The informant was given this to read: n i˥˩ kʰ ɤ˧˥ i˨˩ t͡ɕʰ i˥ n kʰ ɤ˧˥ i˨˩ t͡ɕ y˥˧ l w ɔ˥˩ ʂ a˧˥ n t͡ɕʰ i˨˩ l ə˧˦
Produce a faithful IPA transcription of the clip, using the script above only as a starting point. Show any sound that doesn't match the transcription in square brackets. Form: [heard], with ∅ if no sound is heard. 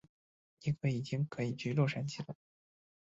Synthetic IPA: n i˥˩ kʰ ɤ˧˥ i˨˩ [t͡ɕ] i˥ [ŋ] kʰ ɤ˧˥ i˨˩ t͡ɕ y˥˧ l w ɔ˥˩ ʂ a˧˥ n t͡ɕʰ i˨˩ l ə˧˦